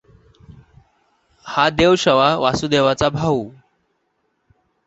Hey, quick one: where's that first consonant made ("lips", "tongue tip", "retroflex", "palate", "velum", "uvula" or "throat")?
throat